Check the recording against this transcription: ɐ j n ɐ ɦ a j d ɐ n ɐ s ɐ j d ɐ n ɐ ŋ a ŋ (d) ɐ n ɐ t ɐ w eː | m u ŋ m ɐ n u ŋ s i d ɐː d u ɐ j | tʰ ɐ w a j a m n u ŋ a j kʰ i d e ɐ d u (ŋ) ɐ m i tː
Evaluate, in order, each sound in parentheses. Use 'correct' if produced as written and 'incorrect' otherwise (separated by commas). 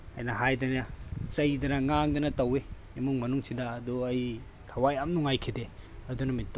correct, incorrect